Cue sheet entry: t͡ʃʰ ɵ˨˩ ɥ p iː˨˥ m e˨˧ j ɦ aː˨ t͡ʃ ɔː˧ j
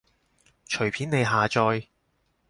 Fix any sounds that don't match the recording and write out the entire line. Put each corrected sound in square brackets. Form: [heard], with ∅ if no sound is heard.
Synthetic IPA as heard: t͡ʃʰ ɵ˨˩ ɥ [pʰ] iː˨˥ [n] e˨˧ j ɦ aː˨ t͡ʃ ɔː˧ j